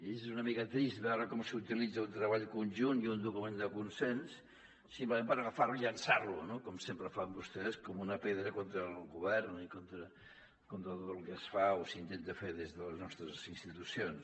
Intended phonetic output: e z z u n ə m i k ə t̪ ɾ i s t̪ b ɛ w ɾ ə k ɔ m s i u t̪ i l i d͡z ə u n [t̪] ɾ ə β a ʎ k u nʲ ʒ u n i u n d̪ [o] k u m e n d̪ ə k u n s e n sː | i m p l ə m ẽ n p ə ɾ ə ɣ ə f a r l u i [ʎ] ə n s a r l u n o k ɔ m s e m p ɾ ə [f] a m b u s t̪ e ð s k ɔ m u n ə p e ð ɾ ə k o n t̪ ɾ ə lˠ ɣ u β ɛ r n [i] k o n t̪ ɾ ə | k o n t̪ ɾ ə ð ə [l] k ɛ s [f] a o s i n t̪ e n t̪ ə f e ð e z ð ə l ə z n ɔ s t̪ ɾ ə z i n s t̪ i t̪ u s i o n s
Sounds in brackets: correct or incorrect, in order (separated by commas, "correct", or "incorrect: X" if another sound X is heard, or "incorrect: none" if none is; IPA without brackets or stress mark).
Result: correct, incorrect: u, correct, correct, correct, correct, correct